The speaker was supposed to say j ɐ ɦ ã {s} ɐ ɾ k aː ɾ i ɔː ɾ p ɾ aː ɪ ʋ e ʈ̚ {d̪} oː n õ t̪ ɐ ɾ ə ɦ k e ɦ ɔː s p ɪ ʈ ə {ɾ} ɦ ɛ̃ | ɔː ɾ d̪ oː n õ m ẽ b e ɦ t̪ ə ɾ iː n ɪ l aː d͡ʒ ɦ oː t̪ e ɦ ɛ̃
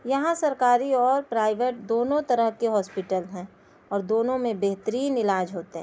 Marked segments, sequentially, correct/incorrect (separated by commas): correct, correct, incorrect